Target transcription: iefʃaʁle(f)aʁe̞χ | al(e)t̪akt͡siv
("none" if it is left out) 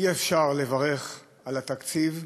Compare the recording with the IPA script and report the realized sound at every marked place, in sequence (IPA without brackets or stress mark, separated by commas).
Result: v, a